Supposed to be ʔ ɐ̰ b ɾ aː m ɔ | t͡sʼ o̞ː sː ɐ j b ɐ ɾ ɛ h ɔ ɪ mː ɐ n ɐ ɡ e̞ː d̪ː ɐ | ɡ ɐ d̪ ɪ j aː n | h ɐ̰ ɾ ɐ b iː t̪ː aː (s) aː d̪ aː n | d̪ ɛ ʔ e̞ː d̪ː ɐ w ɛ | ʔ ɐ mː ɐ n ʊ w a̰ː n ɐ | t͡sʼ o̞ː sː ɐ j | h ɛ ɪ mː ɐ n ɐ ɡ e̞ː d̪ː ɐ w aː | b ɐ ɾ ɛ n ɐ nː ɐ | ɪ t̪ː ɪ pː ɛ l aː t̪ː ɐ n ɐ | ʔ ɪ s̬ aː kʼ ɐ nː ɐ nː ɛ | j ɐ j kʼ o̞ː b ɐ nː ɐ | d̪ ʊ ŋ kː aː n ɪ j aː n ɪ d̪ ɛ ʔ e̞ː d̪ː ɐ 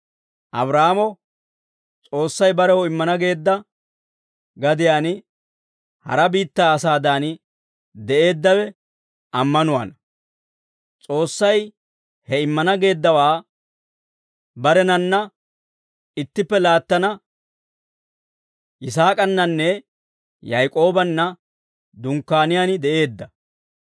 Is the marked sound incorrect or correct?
correct